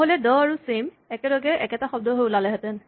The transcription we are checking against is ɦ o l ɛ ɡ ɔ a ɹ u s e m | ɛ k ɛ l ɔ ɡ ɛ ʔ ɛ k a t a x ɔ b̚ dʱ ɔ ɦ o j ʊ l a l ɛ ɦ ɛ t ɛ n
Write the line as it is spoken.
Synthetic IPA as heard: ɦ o l ɛ d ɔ a ɹ u s e m | ɛ k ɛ l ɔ ɡ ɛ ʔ ɛ k ɛ t a x ɔ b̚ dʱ ɔ ɦ o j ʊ l a l ɛ ɦ ɛ t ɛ n